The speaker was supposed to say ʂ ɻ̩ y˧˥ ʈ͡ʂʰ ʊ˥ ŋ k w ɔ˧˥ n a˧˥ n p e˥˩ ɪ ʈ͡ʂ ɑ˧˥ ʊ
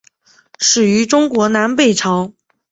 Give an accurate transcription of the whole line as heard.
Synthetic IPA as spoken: ʂ ɻ̩ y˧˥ ʈ͡ʂ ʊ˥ ŋ k w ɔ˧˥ n a˧˥ n p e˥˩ ɪ ʈ͡ʂʰ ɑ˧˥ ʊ